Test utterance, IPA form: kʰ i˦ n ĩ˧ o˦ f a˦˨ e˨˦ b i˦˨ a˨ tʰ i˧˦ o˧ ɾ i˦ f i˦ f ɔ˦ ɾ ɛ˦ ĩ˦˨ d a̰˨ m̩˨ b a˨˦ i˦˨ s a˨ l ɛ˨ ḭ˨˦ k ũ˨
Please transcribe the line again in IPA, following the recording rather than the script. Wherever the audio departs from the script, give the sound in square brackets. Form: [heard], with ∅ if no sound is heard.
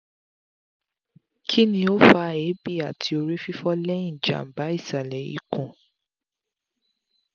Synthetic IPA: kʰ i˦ n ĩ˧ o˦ f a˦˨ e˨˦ b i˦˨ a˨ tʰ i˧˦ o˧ ɾ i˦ f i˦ f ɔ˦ [l] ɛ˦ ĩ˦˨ [d͡ʒ] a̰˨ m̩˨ b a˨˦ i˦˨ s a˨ l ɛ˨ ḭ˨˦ k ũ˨